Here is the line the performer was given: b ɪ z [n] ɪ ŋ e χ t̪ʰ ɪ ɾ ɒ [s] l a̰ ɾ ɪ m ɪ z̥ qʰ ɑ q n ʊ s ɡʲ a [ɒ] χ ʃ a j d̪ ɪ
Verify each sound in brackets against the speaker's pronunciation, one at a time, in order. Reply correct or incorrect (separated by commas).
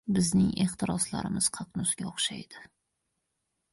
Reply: correct, correct, incorrect